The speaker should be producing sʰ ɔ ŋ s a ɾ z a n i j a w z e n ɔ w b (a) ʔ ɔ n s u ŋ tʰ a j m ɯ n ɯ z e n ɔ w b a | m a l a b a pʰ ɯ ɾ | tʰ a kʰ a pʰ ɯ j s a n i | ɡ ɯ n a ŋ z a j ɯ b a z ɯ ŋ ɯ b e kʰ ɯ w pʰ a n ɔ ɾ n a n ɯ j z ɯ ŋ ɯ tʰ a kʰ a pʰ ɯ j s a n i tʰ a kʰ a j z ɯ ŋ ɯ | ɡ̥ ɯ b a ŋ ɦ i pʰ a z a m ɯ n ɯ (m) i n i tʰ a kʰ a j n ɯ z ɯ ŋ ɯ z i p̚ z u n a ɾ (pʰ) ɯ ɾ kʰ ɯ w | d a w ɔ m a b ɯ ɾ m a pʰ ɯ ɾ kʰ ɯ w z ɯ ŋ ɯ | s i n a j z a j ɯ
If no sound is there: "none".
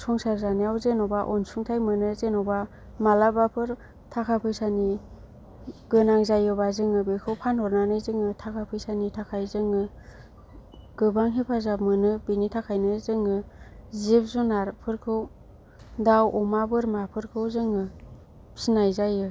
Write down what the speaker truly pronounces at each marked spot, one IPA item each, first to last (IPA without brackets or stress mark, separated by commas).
a, b, pʰ